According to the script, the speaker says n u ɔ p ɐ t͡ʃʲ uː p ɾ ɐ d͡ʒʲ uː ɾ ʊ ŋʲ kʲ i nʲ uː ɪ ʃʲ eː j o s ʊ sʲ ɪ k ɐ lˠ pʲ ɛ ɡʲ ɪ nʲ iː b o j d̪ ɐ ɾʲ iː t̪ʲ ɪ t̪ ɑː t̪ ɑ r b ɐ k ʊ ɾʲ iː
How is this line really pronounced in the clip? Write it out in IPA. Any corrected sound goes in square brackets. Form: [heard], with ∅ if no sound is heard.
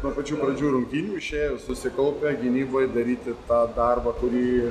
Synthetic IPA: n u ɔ p ɐ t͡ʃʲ uː p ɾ ɐ d͡ʒʲ uː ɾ ʊ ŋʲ kʲ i nʲ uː ɪ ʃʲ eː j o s ʊ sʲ ɪ k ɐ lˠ pʲ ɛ ɡʲ ɪ nʲ iː b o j d̪ ɐ ɾʲ iː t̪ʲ ɪ t̪ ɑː [d̪] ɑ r b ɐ k ʊ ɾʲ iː